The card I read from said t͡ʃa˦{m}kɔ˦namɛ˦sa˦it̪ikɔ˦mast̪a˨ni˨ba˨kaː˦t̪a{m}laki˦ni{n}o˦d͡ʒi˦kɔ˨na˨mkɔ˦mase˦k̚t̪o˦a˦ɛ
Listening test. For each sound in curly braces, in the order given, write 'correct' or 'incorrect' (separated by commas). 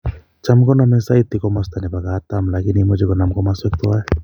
correct, correct, incorrect